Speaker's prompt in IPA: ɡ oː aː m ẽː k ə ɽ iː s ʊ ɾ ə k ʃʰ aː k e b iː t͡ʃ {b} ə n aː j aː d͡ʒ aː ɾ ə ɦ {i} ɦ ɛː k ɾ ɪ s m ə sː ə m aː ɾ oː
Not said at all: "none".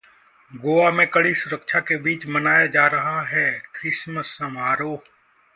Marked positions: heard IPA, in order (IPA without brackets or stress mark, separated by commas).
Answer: m, a